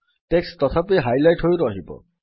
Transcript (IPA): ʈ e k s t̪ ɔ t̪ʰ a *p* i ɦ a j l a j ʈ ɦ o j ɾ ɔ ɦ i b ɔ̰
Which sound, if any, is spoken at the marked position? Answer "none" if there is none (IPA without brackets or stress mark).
p